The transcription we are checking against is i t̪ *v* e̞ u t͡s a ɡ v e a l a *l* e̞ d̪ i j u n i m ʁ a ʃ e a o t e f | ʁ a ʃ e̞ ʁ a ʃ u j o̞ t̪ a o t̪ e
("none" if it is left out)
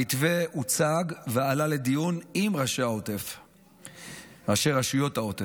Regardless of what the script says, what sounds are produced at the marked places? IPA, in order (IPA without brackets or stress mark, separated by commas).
v, l